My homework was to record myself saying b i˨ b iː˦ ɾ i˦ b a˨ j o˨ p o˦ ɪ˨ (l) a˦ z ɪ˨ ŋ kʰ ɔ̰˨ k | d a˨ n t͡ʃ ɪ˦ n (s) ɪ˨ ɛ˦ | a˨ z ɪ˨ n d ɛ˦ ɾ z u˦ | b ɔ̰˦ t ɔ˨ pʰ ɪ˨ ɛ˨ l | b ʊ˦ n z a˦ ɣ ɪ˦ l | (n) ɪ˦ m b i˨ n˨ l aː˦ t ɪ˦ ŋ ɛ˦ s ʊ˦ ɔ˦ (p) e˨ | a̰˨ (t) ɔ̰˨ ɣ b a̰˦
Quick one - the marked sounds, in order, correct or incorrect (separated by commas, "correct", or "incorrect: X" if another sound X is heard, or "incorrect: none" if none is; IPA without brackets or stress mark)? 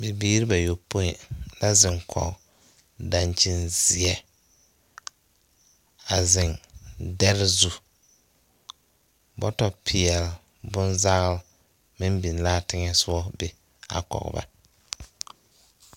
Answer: correct, incorrect: z, incorrect: m, incorrect: b, incorrect: k